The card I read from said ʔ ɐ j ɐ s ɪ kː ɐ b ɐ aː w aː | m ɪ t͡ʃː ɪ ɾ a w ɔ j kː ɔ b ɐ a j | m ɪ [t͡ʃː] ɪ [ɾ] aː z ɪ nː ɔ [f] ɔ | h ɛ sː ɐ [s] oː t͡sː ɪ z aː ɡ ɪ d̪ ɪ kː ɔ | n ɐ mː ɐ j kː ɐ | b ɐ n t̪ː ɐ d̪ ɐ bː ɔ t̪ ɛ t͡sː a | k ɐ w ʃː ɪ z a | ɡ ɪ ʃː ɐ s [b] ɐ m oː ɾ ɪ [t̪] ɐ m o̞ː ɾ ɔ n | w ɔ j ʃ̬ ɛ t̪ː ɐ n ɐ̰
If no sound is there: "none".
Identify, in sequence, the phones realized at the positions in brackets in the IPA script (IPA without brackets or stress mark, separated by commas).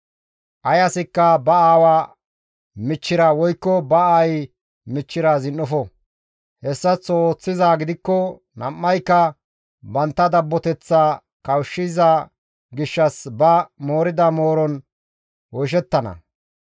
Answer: t͡ʃː, ɾ, f, t͡s, b, d̪